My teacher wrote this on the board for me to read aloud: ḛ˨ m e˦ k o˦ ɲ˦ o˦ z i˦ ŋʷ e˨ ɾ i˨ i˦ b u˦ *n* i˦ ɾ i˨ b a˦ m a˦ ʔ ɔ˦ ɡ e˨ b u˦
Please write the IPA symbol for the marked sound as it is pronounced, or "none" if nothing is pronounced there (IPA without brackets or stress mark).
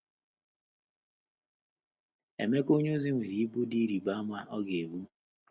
d